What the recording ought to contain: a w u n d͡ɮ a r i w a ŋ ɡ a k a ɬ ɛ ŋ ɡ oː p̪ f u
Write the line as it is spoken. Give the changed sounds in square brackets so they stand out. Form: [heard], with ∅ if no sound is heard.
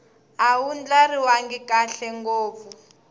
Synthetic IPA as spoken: a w u n d͡ɮ a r i w a ŋ ɡ [i] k a ɬ ɛ ŋ ɡ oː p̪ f u